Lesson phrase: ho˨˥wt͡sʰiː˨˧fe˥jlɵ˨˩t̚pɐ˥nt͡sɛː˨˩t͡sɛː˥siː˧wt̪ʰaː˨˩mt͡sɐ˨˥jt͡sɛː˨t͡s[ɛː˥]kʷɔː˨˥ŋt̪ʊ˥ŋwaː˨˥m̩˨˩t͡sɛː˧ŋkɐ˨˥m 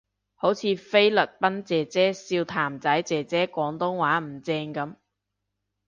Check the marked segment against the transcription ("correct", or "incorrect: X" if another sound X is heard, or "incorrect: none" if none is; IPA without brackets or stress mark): correct